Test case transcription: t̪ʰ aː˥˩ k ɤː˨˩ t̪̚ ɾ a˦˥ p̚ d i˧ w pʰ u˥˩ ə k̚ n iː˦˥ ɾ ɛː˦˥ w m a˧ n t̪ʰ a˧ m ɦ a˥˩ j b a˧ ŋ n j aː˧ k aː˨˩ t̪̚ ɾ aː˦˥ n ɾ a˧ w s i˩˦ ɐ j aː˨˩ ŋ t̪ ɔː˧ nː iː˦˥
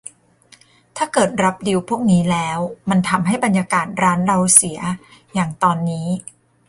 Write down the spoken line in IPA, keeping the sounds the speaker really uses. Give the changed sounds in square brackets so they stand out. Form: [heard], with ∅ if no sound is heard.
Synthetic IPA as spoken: t̪ʰ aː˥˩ k ɤː˨˩ t̪̚ ɾ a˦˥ p̚ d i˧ w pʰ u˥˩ ə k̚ n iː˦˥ [l] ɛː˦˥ w m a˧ n t̪ʰ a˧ m ɦ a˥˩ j b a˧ [∅] n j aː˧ k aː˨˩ t̪̚ ɾ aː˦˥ n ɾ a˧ w s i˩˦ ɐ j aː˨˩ ŋ t̪ ɔː˧ nː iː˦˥